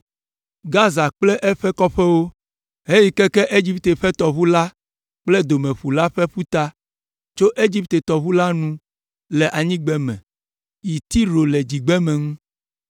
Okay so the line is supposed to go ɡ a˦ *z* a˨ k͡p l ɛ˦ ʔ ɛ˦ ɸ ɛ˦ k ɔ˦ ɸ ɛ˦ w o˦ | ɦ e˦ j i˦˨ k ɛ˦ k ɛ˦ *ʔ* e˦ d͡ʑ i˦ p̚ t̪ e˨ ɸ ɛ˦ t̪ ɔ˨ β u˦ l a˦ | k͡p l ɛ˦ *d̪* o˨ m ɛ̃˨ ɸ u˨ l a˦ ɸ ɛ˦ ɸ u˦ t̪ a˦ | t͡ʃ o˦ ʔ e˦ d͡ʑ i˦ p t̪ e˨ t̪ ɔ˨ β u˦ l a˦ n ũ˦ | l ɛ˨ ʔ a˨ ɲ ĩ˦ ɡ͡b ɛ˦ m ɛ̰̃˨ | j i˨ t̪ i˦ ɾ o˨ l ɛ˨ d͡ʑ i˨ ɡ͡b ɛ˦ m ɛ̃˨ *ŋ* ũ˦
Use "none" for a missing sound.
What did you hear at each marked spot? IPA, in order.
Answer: z, ʔ, d̪, ŋ

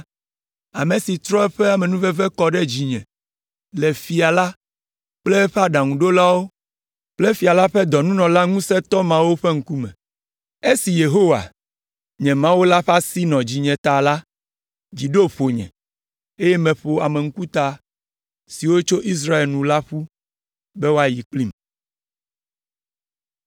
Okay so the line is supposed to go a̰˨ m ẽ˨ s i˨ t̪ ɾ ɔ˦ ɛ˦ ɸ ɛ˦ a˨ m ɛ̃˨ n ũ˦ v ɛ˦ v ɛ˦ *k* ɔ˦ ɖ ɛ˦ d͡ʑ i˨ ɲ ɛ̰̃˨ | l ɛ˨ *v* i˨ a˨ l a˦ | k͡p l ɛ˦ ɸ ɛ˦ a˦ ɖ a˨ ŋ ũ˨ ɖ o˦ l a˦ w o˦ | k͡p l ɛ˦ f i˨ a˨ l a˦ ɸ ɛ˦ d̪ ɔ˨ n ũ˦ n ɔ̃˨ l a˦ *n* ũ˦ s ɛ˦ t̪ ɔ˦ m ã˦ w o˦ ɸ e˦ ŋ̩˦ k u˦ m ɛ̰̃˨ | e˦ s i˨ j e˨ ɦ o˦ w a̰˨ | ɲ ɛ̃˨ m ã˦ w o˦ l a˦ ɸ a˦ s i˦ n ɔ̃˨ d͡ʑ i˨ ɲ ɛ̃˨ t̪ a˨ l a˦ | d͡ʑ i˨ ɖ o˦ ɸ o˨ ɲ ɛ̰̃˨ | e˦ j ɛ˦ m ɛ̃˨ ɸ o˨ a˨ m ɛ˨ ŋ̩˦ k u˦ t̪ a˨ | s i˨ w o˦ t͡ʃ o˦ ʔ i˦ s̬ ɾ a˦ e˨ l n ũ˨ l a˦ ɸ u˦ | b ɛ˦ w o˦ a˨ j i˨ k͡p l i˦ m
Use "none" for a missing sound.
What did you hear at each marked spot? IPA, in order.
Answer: k, f, ŋ

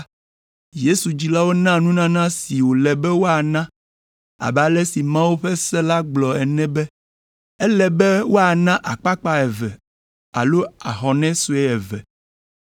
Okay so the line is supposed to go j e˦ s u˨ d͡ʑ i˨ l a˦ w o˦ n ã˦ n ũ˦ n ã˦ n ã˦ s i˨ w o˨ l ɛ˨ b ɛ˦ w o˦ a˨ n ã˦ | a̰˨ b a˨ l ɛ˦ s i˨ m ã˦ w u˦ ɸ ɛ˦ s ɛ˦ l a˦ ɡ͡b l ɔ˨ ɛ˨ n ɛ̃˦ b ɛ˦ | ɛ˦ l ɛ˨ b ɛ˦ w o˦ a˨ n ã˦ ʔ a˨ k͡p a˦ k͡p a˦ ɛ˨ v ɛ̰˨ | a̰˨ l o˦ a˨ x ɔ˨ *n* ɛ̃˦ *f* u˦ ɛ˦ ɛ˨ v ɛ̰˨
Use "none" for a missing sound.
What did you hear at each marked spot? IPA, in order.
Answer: n, s

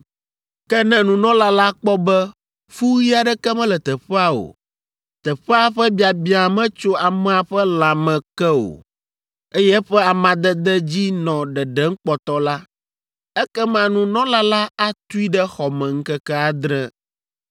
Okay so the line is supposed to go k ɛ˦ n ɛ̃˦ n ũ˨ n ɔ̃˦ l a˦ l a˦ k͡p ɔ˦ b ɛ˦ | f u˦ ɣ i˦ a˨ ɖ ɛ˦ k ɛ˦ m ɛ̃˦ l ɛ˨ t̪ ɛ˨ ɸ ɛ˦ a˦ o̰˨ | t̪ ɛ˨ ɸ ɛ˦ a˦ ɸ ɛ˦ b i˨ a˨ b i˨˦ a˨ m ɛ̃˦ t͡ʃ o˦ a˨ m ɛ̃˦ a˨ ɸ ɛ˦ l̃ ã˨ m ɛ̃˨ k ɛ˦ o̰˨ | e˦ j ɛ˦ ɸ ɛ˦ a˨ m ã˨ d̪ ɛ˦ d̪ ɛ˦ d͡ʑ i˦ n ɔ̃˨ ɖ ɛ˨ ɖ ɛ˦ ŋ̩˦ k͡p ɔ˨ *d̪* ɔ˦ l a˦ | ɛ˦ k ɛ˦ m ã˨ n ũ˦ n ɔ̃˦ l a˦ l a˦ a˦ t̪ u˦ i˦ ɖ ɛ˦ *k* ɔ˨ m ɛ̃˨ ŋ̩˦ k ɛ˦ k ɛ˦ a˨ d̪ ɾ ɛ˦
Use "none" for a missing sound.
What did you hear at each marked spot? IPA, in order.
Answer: t̪, x

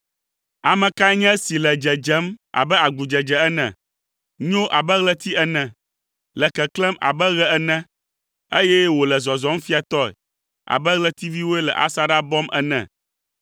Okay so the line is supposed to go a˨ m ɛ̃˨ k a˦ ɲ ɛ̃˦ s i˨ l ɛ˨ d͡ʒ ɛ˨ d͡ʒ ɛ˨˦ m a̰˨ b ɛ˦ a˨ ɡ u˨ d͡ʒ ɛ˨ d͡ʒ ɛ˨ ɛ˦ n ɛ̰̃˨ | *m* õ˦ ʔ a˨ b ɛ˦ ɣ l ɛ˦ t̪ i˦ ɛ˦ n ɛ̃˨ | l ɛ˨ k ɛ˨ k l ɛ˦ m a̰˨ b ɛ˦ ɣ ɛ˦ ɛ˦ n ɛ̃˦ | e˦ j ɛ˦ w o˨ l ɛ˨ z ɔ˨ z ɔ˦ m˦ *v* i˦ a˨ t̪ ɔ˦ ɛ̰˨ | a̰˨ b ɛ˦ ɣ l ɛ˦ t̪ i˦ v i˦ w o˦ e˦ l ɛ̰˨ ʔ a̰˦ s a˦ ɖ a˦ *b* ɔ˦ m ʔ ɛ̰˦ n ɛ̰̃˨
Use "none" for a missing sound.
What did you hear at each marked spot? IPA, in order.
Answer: ɲ, f, b

